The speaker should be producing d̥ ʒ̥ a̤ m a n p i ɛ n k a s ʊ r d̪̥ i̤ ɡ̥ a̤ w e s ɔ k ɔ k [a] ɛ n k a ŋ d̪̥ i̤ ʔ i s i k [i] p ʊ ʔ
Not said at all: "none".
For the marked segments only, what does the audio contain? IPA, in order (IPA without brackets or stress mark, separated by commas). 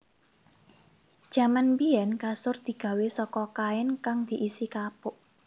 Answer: a, a